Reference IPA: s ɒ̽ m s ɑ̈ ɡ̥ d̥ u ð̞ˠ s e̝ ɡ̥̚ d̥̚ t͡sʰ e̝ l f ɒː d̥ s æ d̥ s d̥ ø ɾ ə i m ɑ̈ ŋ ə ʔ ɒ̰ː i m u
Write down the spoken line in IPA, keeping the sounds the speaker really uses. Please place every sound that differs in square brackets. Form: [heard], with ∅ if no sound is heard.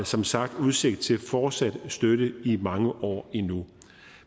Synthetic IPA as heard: s ɒ̽ m s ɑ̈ ɡ̥ d̥ u ð̞ˠ s e̝ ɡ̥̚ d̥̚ t͡sʰ e̝ l f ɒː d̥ s æ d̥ s d̥ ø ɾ ə i m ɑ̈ ŋ ə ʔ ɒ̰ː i [n] u